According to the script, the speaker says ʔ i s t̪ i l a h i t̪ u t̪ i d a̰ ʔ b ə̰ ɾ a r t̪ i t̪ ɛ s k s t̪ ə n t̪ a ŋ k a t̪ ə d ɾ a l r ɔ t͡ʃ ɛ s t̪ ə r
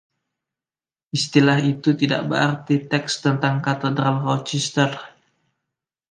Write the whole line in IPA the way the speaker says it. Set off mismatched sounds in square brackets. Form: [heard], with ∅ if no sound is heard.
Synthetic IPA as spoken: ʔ i s t̪ i l a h i t̪ u t̪ i d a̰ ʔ b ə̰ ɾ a r t̪ i t̪ ɛ [∅] k s t̪ ə n t̪ a ŋ k a t̪ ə d ɾ a l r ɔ t͡ʃ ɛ s t̪ ə r